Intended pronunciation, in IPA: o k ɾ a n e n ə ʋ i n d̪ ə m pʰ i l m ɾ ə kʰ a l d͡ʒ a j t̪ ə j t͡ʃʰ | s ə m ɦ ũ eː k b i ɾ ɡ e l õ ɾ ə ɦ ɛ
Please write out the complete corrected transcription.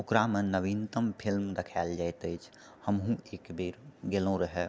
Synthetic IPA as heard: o k ɾ a m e n ə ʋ i n t̪ ə m pʰ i l m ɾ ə kʰ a l d͡ʒ a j t̪ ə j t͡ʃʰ | h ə m ɦ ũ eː k b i ɾ ɡ e l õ ɾ ə ɦ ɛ